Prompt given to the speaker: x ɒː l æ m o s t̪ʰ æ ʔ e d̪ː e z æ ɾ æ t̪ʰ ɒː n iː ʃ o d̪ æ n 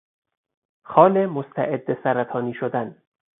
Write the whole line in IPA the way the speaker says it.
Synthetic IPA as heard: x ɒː l e m o s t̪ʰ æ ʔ e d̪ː e s æ ɾ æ t̪ʰ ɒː n iː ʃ o d̪ æ n